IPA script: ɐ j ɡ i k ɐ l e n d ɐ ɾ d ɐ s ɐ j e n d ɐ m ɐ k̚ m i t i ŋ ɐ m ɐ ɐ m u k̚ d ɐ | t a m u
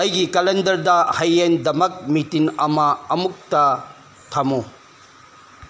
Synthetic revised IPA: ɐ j ɡ i k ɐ l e n d ɐ ɾ d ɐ h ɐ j e n d ɐ m ɐ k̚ m i t i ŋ ɐ m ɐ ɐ m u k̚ t ɐ | tʰ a m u